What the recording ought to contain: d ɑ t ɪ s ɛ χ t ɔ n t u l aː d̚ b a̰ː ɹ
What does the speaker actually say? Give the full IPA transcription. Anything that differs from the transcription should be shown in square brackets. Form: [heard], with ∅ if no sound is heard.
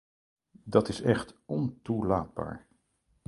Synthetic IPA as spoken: d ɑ t ɪ s ɛ χ t ɔ n t u l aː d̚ b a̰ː ɹ